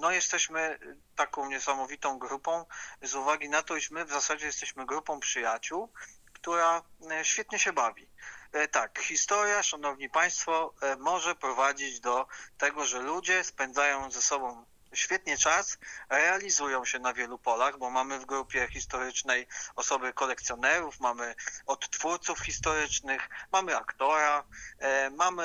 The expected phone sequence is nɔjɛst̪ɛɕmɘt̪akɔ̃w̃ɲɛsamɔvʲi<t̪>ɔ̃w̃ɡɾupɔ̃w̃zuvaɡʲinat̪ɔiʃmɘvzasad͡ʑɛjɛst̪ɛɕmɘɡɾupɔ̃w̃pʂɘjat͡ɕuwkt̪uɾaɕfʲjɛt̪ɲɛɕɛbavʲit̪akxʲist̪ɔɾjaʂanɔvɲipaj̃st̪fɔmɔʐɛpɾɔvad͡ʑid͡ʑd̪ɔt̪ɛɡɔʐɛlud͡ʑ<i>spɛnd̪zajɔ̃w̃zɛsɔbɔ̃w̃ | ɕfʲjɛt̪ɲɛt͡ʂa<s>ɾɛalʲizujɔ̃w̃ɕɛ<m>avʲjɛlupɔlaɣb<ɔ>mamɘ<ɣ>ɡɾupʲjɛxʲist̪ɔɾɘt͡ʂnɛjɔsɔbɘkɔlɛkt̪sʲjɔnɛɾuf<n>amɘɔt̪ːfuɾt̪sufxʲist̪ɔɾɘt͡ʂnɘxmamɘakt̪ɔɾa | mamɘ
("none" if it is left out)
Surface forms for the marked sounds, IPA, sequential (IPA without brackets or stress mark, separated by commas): t̪, ɛ, s, n, ɔ, v, m